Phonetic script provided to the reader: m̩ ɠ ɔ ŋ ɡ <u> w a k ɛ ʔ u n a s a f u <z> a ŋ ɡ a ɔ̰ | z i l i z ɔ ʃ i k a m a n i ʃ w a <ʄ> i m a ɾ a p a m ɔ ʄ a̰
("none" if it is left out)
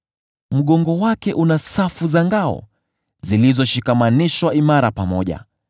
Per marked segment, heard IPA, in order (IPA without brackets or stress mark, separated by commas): ɔ, z, none